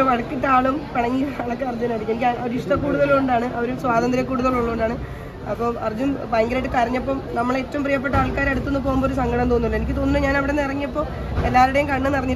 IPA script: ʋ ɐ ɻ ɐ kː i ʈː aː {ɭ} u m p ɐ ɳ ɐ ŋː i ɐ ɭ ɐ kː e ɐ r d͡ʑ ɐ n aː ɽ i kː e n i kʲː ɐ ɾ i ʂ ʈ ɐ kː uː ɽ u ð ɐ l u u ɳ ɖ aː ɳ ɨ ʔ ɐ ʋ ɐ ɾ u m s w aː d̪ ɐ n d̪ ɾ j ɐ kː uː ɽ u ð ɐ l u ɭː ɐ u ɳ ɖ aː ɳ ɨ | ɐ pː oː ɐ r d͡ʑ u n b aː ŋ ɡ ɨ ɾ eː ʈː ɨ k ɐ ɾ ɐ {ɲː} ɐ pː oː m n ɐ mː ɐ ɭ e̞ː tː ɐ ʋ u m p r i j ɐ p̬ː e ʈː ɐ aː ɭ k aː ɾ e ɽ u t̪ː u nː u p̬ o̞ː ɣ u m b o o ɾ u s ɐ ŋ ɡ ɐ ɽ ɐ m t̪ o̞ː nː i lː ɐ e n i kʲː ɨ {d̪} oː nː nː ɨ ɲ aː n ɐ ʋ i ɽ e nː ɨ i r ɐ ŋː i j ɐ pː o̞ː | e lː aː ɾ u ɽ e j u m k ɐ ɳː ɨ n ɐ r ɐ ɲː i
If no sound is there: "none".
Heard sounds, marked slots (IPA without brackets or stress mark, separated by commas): ɭ, ɲː, t̪